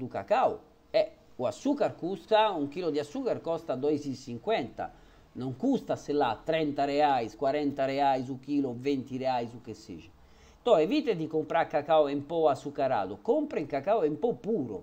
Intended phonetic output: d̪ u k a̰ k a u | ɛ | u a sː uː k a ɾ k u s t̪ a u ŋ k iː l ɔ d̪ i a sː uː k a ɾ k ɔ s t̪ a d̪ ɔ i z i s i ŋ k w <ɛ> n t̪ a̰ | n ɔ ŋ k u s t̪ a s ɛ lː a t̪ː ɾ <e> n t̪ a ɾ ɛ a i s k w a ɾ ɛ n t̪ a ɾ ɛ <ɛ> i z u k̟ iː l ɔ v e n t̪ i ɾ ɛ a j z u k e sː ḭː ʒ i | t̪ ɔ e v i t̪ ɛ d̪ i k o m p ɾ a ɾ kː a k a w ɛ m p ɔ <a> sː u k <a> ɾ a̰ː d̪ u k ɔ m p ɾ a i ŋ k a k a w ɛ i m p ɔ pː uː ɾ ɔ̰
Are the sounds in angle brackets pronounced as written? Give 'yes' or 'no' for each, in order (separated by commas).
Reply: yes, no, no, yes, yes